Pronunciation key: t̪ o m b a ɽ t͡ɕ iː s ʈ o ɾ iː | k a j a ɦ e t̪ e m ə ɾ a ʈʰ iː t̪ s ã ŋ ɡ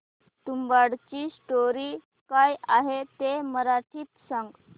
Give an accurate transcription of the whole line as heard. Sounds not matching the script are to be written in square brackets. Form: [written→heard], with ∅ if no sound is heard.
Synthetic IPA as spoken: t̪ [o→u] m b a ɽ t͡ɕ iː s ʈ o ɾ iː | k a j a ɦ e t̪ e m ə ɾ a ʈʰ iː t̪ s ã ŋ ɡ

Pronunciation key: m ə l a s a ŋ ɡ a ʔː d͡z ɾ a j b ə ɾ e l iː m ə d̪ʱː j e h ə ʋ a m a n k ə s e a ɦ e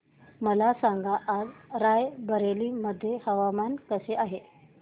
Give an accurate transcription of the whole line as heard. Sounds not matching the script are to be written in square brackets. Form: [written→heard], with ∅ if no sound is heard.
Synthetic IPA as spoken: m ə l a s a ŋ ɡ a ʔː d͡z ɾ a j b ə ɾ e l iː m ə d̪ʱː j e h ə ʋ a m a n k ə s e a ɦ e

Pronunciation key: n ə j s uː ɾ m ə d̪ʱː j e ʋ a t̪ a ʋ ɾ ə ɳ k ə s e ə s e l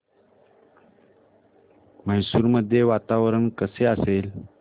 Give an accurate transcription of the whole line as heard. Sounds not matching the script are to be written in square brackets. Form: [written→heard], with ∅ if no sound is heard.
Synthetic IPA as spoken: [n→m] ə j s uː ɾ m ə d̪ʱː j e ʋ a t̪ a ʋ ɾ ə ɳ k ə s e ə s e l

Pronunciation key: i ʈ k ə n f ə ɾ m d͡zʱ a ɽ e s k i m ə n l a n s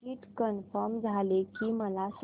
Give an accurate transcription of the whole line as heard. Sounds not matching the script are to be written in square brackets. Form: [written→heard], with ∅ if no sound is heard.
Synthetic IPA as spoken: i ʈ k ə n f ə ɾ m d͡zʱ a [ɽ→l] e [s→∅] k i m ə [n→∅] l a [n→∅] s

